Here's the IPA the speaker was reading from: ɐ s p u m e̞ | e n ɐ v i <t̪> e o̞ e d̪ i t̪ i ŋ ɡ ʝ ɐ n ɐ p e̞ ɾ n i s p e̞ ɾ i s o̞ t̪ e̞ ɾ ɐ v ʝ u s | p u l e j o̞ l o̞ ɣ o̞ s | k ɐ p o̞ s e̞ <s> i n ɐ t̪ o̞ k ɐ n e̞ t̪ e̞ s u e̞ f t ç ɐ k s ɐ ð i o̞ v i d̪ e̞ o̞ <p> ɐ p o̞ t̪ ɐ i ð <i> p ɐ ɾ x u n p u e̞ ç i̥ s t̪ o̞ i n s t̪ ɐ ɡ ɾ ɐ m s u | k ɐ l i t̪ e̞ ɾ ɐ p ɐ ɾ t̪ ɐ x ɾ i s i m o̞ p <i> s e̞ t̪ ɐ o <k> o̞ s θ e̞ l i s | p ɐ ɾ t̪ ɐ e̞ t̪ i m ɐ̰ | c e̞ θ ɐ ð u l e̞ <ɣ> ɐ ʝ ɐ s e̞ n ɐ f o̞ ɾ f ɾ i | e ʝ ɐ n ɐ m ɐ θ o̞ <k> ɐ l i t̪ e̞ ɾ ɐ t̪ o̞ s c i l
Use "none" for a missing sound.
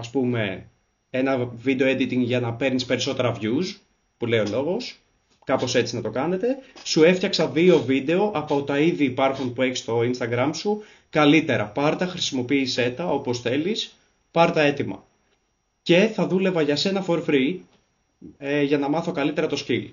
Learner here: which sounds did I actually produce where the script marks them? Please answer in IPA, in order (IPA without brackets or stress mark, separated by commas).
d̪, t͡s, ʔ, iː, iː, p, v, k